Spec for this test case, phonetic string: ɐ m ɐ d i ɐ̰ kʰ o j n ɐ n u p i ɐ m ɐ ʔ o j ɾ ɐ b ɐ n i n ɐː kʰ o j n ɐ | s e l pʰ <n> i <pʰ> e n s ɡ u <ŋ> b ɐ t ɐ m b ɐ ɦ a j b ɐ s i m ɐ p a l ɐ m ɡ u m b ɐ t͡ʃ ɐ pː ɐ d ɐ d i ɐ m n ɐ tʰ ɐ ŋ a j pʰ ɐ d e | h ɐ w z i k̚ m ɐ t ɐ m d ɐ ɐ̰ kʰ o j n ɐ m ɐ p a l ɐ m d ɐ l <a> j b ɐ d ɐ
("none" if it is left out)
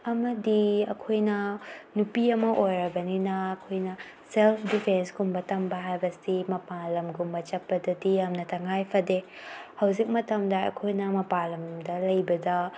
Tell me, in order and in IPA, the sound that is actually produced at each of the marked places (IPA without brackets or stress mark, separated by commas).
d, pʰ, m, ɐ